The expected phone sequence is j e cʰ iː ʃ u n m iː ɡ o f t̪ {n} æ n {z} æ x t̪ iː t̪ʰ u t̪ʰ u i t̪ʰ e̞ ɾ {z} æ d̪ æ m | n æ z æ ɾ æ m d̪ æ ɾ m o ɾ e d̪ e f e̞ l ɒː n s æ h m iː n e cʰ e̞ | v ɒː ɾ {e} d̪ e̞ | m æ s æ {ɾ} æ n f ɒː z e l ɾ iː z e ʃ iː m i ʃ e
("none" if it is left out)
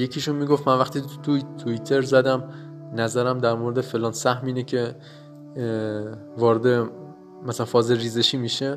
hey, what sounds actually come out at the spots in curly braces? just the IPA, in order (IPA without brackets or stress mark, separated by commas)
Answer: m, v, z, e, l